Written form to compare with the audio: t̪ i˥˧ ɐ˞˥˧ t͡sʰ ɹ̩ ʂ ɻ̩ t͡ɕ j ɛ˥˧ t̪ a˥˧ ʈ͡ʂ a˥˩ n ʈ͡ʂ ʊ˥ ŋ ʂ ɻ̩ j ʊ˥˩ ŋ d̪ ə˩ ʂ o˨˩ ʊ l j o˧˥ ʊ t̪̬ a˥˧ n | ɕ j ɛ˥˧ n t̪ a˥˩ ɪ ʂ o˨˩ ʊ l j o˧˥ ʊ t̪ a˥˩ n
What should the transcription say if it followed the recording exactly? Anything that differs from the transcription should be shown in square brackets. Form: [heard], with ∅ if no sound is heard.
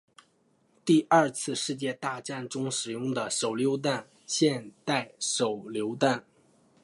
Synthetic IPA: t̪ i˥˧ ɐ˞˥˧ t͡sʰ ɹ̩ ʂ ɻ̩ t͡ɕ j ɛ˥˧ t̪ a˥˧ ʈ͡ʂ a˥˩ n ʈ͡ʂ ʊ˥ ŋ ʂ ɻ̩ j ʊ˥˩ ŋ d̪ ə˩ ʂ o˨˩ ʊ l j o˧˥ ʊ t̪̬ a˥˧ n | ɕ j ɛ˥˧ n t̪ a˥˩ ɪ ʂ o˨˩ ʊ l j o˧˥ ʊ t̪ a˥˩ n